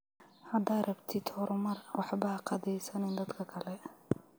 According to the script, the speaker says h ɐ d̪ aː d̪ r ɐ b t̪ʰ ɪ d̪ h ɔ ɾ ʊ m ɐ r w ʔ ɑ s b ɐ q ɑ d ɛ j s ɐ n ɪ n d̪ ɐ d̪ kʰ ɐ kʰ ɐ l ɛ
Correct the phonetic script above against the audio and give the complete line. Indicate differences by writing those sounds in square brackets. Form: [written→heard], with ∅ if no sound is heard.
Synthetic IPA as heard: h ɐ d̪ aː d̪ r ɐ b t̪ʰ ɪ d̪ h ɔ ɾ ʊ m ɐ r w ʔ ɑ [s→ħ] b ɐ q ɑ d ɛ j s ɐ n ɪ n d̪ ɐ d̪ kʰ ɐ kʰ ɐ l ɛ